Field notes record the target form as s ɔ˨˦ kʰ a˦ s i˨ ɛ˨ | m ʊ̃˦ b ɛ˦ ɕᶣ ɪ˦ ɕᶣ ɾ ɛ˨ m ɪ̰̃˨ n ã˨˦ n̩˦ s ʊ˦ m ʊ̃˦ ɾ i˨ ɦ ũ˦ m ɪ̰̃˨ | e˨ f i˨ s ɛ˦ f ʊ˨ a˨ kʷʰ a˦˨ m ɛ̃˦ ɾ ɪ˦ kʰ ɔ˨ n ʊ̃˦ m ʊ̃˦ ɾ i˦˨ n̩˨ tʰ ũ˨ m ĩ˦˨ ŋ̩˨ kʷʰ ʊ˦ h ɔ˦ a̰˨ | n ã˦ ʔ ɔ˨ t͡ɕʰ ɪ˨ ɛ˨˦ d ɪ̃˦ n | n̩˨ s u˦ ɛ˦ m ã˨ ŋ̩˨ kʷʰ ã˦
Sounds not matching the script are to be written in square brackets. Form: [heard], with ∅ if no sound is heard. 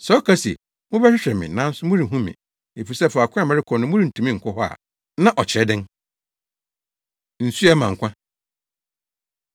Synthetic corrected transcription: s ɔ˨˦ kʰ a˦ s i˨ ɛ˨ | m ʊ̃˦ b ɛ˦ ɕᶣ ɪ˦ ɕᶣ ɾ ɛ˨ m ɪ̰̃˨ n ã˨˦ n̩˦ s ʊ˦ m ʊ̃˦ ɾ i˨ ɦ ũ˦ m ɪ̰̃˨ | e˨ f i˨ s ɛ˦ f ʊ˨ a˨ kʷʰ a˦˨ m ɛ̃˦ ɾ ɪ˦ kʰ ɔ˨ n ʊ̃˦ m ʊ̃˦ ɾ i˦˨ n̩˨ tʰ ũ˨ m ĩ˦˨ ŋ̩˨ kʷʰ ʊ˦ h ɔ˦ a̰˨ | n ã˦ ʔ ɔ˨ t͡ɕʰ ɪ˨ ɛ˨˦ d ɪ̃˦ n | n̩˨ s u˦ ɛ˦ m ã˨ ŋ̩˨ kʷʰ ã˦